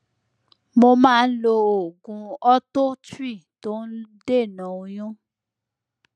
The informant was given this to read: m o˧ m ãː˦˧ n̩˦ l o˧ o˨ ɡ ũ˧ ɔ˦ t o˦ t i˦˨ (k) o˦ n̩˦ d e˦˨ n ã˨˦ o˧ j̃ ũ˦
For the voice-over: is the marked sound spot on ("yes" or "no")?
no